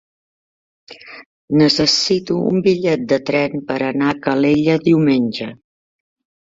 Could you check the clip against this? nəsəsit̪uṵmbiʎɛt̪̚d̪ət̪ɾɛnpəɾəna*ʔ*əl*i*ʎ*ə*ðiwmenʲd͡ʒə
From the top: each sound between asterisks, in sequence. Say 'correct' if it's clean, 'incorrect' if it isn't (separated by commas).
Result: incorrect, incorrect, correct